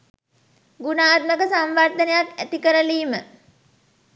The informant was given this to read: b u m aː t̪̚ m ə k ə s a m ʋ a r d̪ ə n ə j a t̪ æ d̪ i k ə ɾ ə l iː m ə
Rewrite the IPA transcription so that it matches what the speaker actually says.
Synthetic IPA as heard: ɡ u n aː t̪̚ m ə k ə s a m ʋ a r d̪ ə n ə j a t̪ æ t̪ i k ə ɾ ə l iː m ə